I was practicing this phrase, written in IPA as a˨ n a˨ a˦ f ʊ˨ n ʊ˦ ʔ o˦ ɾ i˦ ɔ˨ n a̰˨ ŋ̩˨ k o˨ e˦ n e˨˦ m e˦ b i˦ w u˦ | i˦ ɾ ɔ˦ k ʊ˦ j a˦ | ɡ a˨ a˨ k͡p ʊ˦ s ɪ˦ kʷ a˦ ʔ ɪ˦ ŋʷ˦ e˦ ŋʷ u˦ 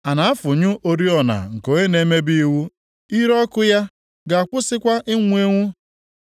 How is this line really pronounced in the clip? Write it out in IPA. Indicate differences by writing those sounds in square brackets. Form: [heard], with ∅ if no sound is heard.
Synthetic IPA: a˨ n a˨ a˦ f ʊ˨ [ɲ] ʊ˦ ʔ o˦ ɾ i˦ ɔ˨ n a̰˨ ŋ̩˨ k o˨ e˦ n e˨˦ m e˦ b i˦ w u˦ | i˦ ɾ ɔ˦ k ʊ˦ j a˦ | ɡ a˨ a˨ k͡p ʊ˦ s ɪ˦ kʷ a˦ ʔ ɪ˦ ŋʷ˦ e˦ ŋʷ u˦